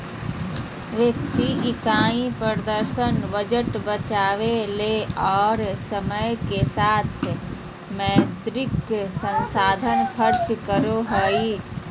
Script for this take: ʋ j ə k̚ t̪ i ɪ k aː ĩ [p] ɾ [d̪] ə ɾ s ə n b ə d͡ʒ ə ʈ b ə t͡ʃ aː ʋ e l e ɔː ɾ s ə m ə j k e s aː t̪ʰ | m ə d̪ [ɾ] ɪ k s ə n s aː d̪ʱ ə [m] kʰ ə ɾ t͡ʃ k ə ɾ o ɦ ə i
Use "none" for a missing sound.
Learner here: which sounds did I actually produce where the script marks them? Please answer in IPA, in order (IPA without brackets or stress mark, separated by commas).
p, d̪, ɾ, n